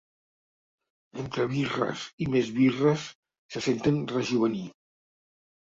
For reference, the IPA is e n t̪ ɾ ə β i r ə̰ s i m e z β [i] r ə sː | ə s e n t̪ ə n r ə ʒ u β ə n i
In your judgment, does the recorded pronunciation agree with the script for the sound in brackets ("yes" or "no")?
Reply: yes